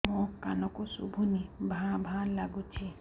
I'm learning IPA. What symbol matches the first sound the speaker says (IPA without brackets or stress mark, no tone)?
m